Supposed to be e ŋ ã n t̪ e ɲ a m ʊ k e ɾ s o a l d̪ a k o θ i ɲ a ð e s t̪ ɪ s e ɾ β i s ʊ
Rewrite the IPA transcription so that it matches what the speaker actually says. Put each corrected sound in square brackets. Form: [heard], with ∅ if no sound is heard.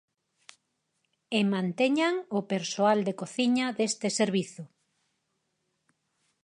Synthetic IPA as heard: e [m] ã n t̪ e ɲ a [ŋ] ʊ [p] e ɾ s o a l d̪ [e] k o θ i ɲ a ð e s t̪ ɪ s e ɾ β i [θ] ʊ